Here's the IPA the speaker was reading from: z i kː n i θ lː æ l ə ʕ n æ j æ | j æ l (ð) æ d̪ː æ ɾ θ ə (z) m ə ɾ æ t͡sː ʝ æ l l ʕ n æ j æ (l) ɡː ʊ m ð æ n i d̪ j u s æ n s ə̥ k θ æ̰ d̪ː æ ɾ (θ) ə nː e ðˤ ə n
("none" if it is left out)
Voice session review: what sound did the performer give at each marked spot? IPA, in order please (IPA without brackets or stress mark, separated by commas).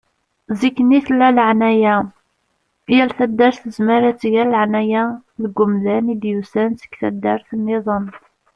θ, z, l, θ